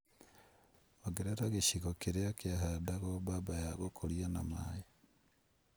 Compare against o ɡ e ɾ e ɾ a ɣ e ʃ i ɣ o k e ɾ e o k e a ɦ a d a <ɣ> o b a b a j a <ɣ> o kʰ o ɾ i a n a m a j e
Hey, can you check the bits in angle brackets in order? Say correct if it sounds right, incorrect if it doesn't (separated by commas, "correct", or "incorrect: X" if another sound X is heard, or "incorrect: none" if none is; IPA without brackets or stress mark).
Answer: correct, correct